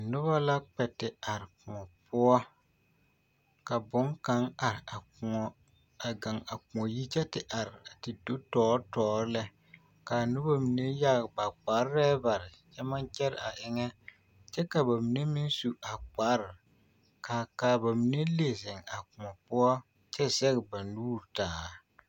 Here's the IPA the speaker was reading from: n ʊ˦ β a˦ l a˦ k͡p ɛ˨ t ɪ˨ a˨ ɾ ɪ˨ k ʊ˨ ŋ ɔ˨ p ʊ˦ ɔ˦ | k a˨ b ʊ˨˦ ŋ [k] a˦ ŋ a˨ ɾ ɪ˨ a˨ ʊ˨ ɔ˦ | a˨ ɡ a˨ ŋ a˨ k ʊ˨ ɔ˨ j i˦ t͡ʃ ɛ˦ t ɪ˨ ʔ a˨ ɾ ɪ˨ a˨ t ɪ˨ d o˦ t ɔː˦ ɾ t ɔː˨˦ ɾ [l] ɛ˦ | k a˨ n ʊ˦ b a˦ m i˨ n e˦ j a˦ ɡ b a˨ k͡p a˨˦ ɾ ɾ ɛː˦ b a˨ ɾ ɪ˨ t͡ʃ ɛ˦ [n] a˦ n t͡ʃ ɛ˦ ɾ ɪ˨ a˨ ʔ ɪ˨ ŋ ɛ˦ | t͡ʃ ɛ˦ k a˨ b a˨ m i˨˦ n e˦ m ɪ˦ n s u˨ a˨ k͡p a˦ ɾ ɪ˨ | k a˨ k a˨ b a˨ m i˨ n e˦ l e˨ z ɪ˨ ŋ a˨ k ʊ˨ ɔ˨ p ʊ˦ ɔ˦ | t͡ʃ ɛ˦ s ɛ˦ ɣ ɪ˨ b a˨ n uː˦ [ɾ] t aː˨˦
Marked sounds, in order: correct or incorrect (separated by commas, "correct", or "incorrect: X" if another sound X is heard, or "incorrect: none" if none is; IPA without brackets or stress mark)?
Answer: correct, correct, incorrect: m, correct